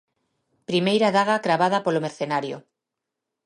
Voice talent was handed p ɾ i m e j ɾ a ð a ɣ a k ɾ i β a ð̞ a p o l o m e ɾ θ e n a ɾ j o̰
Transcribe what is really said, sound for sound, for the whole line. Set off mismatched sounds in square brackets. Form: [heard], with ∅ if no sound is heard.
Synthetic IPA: p ɾ i m e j ɾ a ð a ɣ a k ɾ [a] β a ð̞ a p o l o m e ɾ θ e n a ɾ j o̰